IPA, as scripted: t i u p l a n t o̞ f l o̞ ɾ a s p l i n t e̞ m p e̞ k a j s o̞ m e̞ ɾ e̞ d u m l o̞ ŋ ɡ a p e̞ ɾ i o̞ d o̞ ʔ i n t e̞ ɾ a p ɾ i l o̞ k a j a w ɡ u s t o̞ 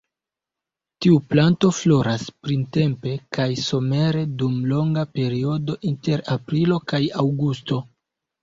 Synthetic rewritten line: t i u p l a n t o̞ f l o̞ ɾ a s p ɾ i n t e̞ m p e̞ k a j s o̞ m e̞ ɾ e̞ d u m l o̞ ŋ ɡ a p e̞ ɾ i o̞ d o̞ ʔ i n t e̞ ɾ a p ɾ i l o̞ k a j a w ɡ u s t o̞